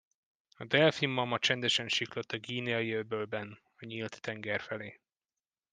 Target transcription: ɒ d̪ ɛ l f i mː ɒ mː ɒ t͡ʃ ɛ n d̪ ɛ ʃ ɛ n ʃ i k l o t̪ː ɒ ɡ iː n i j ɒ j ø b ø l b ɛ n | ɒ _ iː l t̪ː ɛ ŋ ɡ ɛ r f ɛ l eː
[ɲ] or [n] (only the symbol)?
ɲ